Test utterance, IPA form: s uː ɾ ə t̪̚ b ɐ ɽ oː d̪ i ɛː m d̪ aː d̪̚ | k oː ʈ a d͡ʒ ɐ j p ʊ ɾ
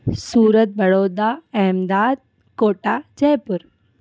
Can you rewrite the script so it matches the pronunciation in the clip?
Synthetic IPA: s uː ɾ ə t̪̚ b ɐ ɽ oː d̪ a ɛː m d̪ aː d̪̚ | k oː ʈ a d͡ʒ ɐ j p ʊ ɾ